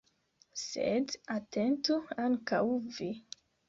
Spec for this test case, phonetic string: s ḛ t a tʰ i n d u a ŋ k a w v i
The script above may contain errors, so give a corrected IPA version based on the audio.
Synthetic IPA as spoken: s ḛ d a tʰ e n t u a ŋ k a w v i